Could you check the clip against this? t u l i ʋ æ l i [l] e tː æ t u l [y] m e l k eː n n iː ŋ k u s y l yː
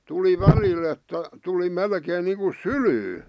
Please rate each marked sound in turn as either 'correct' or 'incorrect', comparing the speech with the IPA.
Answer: correct, incorrect: i

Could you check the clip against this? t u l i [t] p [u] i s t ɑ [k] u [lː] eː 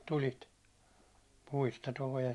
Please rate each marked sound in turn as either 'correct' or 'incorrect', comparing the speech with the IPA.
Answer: correct, correct, incorrect: t, incorrect: l

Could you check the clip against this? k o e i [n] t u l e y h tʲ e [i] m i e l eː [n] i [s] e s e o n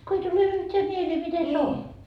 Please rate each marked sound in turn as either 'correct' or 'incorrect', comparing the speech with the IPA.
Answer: incorrect: none, incorrect: æ, incorrect: m, incorrect: t

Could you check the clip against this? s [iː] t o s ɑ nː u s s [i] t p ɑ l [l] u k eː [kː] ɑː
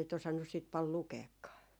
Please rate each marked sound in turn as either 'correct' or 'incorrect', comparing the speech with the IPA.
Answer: incorrect: i, incorrect: iː, correct, correct

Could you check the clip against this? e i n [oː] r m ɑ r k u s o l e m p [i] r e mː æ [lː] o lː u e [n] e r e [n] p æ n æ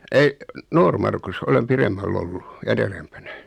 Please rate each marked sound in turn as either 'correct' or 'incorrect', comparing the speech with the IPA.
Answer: correct, correct, correct, correct, incorrect: m

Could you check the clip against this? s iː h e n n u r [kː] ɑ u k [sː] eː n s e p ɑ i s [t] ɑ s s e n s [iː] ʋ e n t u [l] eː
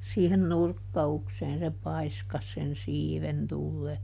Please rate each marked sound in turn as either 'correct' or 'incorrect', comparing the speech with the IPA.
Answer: correct, incorrect: s, incorrect: k, correct, incorrect: lː

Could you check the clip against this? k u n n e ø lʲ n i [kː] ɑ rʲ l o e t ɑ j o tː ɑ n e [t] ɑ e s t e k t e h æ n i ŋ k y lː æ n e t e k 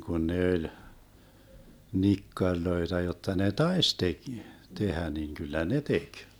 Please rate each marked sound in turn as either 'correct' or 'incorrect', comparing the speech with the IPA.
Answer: correct, correct

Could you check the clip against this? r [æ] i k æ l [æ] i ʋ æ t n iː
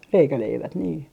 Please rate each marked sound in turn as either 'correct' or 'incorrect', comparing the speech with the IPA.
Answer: incorrect: e, incorrect: e

